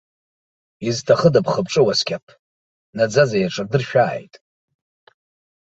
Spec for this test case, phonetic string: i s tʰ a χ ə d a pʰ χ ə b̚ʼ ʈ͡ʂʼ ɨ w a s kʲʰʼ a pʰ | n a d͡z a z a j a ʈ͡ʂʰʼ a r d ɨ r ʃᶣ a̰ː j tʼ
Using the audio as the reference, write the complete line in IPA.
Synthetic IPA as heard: i z tʰ a χ ə d a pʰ χ ə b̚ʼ ʈ͡ʂʼ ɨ w a s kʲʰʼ a pʰ | n a d͡z a z a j a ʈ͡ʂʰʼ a r d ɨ r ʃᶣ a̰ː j tʼ